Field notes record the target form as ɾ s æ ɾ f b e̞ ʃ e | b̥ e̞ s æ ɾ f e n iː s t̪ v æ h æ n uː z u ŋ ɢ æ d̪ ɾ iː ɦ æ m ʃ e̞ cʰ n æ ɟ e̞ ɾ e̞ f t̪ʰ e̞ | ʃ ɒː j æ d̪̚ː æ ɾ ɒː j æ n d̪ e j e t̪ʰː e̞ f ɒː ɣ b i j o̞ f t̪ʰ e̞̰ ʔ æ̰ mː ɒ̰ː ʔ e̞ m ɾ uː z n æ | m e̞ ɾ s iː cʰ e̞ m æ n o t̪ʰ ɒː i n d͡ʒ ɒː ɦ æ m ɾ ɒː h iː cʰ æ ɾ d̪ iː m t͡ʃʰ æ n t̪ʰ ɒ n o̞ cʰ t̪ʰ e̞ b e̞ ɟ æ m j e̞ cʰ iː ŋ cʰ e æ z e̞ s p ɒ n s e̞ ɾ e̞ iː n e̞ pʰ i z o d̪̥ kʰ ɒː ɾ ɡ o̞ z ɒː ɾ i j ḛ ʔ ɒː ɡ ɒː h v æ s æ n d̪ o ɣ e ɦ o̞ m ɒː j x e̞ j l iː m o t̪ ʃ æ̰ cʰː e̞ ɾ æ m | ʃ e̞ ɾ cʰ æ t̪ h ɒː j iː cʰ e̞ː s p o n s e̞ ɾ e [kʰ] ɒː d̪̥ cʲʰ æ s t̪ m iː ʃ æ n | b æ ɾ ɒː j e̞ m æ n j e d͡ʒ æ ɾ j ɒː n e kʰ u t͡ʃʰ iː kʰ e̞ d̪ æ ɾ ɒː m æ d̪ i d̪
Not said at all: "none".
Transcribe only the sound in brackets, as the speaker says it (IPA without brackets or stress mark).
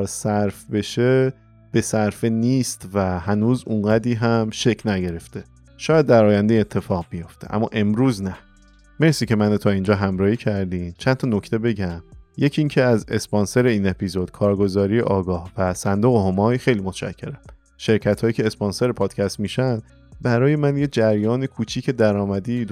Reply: pʰ